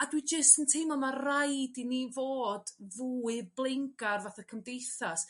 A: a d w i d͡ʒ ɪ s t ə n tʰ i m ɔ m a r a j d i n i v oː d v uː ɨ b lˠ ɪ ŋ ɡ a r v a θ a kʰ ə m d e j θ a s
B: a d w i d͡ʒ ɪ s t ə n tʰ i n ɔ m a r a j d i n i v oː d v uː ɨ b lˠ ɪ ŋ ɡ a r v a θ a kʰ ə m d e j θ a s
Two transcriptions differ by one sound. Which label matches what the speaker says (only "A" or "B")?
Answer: A